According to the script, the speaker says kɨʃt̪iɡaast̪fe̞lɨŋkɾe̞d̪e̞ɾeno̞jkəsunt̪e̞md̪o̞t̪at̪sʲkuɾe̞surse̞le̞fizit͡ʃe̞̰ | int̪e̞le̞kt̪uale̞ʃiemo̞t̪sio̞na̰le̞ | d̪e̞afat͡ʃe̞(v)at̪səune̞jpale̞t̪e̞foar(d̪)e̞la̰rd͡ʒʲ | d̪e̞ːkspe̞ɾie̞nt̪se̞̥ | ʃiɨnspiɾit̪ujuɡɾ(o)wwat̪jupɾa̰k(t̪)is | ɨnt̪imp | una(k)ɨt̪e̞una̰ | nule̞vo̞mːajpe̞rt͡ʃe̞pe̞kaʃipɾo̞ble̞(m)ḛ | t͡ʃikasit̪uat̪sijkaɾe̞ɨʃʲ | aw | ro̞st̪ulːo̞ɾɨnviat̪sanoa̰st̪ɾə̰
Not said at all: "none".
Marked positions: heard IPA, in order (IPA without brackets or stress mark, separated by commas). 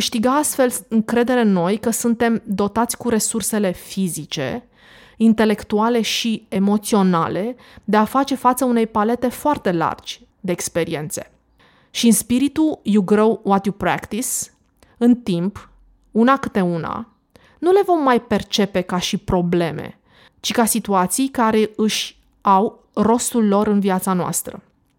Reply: f, t̪, o, t̪, k, m